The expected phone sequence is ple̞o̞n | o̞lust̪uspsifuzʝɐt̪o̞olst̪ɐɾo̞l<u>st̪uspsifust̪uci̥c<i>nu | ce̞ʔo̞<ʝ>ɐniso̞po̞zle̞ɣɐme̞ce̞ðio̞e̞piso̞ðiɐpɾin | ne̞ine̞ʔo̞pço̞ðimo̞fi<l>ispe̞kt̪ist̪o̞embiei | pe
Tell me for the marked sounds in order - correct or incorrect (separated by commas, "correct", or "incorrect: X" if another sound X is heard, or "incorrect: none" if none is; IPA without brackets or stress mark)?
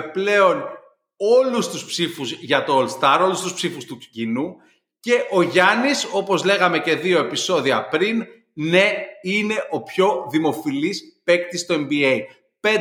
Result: correct, correct, correct, correct